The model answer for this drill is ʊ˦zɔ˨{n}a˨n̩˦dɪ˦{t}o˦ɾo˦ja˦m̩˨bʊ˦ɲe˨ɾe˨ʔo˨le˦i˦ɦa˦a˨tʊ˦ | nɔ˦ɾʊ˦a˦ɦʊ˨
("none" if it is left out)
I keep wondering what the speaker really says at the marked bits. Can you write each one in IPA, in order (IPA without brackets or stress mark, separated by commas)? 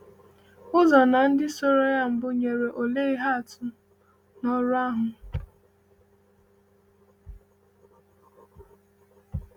n, s